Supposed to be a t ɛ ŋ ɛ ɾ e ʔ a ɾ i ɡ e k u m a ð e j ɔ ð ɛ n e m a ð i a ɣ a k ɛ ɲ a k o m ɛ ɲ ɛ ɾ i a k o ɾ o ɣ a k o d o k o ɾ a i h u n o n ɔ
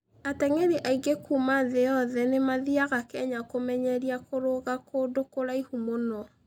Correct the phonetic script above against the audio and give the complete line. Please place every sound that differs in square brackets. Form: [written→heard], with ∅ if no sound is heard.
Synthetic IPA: a t ɛ ŋ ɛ ɾ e ʔ a [ɾ→∅] i ɡ e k u m a ð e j ɔ ð ɛ n e m a ð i a ɣ a k ɛ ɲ a k o m ɛ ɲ ɛ ɾ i a k o ɾ o ɣ a k o d o k o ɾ a i h u [n→m] o n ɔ